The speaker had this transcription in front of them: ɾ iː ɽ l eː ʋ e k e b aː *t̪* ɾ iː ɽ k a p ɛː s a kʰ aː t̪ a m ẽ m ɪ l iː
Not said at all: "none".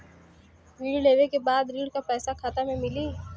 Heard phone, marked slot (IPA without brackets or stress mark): d̪